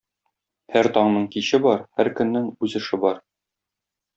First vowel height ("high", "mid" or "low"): low